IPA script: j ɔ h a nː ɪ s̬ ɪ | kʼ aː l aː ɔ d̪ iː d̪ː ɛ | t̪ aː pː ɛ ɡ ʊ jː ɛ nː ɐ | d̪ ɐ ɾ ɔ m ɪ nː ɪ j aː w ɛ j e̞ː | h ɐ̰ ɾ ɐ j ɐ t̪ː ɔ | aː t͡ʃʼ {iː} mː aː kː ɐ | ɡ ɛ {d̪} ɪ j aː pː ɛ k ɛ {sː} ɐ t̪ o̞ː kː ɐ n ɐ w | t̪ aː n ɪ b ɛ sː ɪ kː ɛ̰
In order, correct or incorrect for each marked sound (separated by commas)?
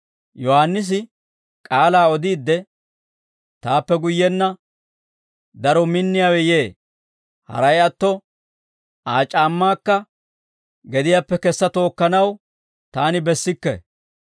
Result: incorrect, correct, correct